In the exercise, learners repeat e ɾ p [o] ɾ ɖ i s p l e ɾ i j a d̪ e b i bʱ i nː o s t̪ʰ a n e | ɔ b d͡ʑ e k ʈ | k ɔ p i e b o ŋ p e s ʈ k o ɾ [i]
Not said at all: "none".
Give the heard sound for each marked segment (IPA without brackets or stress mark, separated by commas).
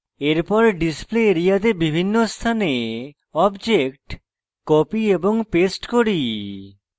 ɔ, i